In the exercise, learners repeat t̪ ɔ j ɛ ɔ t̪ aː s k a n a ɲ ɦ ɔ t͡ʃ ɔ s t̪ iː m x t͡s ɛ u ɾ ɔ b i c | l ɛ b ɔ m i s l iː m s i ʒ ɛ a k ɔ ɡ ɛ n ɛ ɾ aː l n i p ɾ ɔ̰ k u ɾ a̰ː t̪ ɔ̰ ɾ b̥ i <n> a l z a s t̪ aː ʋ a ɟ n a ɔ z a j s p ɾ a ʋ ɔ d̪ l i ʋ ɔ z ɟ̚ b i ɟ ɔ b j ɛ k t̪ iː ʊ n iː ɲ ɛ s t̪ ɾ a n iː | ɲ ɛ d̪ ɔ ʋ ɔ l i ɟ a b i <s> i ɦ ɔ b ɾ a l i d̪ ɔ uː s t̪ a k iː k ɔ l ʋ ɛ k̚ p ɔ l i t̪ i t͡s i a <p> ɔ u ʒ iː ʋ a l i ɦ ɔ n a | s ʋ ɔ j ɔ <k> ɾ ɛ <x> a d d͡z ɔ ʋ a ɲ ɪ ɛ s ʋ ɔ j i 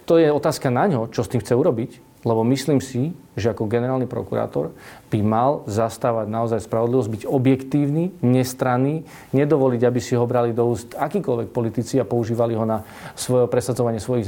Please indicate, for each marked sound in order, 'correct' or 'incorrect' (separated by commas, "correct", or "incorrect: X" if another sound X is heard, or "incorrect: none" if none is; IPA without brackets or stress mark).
incorrect: m, correct, correct, incorrect: p, incorrect: s